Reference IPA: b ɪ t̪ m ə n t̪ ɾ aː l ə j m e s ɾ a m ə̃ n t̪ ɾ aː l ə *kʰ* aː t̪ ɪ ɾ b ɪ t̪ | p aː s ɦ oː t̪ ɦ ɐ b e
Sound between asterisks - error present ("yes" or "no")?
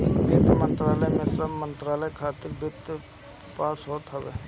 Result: no